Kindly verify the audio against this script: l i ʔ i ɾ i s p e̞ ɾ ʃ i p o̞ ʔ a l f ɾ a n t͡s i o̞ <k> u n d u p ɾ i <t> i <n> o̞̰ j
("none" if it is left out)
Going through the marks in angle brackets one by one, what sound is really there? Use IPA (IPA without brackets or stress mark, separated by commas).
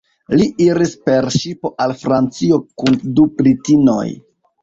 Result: k, t, n